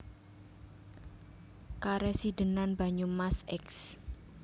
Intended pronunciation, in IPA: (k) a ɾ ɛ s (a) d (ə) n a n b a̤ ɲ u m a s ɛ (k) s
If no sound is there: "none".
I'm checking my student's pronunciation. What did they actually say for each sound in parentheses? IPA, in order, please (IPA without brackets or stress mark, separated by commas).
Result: k, i, ə, k